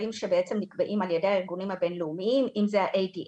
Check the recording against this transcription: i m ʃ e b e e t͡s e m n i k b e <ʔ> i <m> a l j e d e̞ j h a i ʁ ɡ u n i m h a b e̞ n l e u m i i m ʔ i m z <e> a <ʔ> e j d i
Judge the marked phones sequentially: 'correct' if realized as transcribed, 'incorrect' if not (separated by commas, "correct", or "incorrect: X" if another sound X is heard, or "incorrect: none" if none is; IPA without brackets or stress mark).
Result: correct, correct, correct, correct